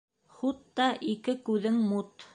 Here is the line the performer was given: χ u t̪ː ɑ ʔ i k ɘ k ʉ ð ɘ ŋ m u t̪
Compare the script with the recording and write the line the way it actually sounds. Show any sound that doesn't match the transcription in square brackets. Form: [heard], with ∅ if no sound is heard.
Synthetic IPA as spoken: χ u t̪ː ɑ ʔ i k ɘ k ʉ ð ɘ ŋ m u t̪

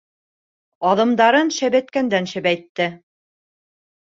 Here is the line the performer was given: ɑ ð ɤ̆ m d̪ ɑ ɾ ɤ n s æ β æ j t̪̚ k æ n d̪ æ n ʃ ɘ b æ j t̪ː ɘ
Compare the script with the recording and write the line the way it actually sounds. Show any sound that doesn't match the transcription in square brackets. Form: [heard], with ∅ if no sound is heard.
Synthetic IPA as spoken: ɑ ð ɤ̆ m d̪ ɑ ɾ ɤ n [ʃ] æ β æ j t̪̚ k æ n d̪ æ n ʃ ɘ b æ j t̪ː ɘ

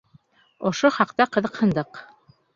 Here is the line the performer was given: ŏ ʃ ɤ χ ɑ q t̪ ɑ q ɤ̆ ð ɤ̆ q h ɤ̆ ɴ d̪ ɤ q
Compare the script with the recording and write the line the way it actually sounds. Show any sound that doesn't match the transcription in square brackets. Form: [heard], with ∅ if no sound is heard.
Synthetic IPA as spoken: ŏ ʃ [o] χ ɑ q t̪ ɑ q ɤ̆ ð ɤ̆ q h ɤ̆ [n] d̪ ɤ q

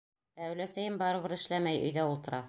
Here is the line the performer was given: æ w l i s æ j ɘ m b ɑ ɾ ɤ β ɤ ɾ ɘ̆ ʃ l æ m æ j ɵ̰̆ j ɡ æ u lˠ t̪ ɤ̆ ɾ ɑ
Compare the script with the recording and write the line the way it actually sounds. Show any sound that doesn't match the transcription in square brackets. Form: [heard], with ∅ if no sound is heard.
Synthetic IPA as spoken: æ w l [æ] s æ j ɘ m b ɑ ɾ ɤ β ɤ ɾ ɘ̆ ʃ l æ m æ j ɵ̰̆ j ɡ æ u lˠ t̪ ɤ̆ ɾ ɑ

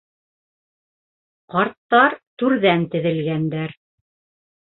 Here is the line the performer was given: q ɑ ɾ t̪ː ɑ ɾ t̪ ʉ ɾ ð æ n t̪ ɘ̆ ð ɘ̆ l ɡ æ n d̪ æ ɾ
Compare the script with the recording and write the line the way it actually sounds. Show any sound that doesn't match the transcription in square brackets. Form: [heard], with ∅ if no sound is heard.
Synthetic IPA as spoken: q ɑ ɾ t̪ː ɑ ɾ t̪ ʉ ɾ ð æ n t̪ ɘ̆ ð ɘ̆ l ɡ æ n d̪ æ ɾ

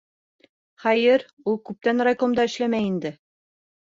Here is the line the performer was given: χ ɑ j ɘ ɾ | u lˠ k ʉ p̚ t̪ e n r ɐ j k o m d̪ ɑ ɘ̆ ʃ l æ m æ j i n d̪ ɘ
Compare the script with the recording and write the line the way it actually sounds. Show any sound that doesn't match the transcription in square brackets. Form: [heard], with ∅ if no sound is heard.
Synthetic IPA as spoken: χ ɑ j ɘ ɾ | u lˠ k ʉ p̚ t̪ [æ] n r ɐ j k o m d̪ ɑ ɘ̆ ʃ l æ m æ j i n d̪ ɘ

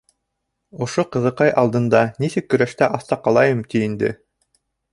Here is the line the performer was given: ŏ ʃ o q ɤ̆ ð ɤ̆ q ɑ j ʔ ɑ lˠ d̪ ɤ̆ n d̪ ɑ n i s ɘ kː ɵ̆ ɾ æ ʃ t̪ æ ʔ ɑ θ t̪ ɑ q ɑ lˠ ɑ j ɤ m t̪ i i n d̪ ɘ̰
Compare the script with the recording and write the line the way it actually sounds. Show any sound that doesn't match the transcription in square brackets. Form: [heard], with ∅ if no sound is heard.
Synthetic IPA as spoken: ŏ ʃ o q ɤ̆ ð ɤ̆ q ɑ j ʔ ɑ lˠ d̪ ɤ̆ n d̪ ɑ n i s ɘ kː ɵ̆ ɾ æ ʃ t̪ æ ʔ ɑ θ t̪ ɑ q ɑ lˠ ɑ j ɤ m t̪ i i n d̪ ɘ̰

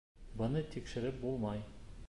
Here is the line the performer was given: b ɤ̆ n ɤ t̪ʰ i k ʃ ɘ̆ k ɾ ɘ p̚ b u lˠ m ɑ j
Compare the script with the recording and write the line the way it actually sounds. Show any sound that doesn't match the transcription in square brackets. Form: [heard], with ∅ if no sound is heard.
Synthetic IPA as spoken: b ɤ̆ n ɤ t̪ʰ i k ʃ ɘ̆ [∅] ɾ ɘ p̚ b u lˠ m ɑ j

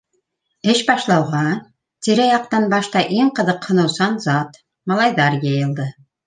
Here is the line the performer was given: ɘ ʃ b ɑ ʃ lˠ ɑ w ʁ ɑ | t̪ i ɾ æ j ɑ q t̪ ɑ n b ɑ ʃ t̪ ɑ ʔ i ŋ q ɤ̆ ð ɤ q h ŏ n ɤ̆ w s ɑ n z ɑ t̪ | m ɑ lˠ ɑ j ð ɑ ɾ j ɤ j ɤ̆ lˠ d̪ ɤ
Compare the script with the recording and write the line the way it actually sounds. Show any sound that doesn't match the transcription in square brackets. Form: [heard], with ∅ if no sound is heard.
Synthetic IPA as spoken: ɘ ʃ b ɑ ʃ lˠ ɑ w ʁ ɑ | t̪ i ɾ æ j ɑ q t̪ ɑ n b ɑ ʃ t̪ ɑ ʔ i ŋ q ɤ̆ ð ɤ q h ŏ n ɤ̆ w s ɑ n z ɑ t̪ | m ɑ lˠ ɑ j ð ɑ ɾ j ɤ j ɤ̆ lˠ d̪ ɤ

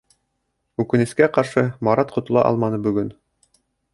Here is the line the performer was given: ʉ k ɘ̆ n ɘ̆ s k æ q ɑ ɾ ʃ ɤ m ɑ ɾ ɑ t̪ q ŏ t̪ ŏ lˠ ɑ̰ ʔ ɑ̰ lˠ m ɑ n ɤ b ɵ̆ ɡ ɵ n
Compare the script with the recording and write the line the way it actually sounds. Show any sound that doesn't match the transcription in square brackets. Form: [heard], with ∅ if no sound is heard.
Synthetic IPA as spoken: ʉ k ɘ̆ n ɘ̆ s k æ q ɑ ɾ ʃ ɤ m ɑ ɾ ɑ t̪ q ŏ t̪ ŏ lˠ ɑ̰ ʔ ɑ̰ lˠ m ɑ n ɤ b ɵ̆ ɡ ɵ n

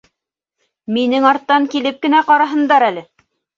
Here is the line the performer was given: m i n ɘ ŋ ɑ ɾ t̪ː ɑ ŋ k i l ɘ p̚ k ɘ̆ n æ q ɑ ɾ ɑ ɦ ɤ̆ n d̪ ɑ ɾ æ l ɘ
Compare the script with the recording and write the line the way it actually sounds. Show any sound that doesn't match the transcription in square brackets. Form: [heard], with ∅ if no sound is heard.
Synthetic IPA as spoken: m i n ɘ ŋ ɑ ɾ t̪ː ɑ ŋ k i l ɘ p̚ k ɘ̆ n æ q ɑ ɾ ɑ ɦ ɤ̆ n d̪ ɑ ɾ æ l ɘ

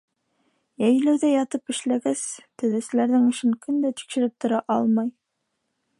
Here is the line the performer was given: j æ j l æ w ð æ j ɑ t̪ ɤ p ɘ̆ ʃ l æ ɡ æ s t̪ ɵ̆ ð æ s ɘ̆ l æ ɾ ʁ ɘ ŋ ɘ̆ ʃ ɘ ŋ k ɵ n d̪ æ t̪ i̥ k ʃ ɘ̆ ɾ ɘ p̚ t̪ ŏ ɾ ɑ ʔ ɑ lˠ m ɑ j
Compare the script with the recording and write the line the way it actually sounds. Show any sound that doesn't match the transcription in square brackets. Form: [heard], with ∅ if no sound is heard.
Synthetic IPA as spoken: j æ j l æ w ð æ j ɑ t̪ ɤ p ɘ̆ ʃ l æ ɡ æ s t̪ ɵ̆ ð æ s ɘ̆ l æ ɾ [ð] ɘ ŋ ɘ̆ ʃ ɘ ŋ k ɵ n d̪ æ t̪ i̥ k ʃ ɘ̆ ɾ ɘ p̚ t̪ ŏ ɾ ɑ ʔ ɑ lˠ m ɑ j

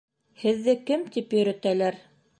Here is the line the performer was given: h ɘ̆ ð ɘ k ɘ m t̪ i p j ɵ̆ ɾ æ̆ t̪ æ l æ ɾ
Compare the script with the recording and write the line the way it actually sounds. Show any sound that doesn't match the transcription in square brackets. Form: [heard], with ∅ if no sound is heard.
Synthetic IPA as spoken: h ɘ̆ [ðː] ɘ k ɘ m t̪ i p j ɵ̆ ɾ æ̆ t̪ æ l æ ɾ

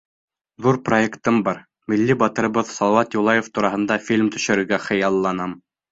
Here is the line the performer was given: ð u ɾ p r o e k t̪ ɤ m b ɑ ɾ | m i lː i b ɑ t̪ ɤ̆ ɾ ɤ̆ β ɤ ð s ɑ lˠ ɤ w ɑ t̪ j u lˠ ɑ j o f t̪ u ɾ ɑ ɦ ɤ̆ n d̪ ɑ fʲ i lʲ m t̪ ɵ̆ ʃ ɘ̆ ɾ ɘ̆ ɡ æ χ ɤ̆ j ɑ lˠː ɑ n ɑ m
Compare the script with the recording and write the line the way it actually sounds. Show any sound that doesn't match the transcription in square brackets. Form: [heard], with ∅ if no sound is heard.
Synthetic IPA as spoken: ð u ɾ p r o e k t̪ ɤ m b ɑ ɾ | m i lː i b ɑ t̪ ɤ̆ ɾ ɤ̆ β ɤ ð s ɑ lˠ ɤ w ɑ t̪ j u lˠ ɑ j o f t̪ u ɾ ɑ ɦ ɤ̆ n d̪ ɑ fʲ i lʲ m t̪ ɵ̆ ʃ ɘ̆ ɾ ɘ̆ ɡ æ χ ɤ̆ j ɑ lˠː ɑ n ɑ m

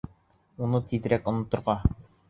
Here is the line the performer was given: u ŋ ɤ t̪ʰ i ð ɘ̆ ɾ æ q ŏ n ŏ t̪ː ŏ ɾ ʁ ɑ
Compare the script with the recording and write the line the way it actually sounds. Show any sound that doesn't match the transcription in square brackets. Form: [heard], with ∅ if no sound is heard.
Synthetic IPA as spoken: u [n] ɤ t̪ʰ i ð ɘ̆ ɾ æ [k] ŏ n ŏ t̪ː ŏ ɾ ʁ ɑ

